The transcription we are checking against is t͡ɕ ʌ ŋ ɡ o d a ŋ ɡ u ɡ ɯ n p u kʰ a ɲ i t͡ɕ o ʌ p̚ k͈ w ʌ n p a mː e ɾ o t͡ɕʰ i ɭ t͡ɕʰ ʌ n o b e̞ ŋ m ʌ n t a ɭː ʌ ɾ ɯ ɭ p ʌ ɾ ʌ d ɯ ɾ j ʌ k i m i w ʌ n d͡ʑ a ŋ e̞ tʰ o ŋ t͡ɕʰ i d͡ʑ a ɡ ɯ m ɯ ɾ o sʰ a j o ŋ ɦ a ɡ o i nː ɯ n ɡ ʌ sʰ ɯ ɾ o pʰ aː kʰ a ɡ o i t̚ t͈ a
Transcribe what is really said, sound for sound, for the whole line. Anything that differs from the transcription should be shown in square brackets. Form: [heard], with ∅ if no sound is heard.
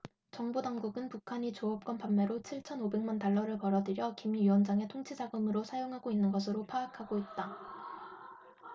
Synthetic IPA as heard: t͡ɕ ʌ ŋ [b] o d a ŋ ɡ u ɡ ɯ n p u kʰ a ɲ i t͡ɕ o ʌ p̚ k͈ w ʌ n p a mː e ɾ o t͡ɕʰ i ɭ t͡ɕʰ ʌ n o b e̞ ŋ m [a] n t a ɭː ʌ ɾ ɯ ɭ p ʌ ɾ ʌ d ɯ ɾ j ʌ k i m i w ʌ n d͡ʑ a ŋ e̞ tʰ o ŋ t͡ɕʰ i d͡ʑ a ɡ ɯ m ɯ ɾ o sʰ a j o ŋ ɦ a ɡ o i nː ɯ n ɡ ʌ sʰ ɯ ɾ o pʰ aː kʰ a ɡ o i t̚ t͈ a